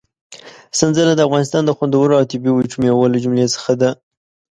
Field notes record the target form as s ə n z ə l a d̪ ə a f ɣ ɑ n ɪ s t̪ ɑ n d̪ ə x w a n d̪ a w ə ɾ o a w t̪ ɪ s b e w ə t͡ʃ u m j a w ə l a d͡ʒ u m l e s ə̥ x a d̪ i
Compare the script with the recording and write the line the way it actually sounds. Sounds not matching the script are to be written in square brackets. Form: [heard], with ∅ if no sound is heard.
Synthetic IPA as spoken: s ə n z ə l a d̪ ə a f ɣ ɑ n ɪ s t̪ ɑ n d̪ ə x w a n d̪ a w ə ɾ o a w t̪ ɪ [∅] b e w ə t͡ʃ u m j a w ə l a d͡ʒ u m l e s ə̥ x a d̪ [a]